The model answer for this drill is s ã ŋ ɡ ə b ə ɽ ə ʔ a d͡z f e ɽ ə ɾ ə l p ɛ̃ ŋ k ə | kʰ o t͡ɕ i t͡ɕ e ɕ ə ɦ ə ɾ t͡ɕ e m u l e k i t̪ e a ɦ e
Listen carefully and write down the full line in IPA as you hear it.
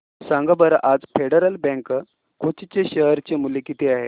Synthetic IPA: s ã ŋ ɡ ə b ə ɾ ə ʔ a d͡z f e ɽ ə ɾ ə l b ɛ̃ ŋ k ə | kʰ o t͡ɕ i t͡ɕ e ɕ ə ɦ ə ɾ t͡ɕ e m u l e k i t̪ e a ɦ e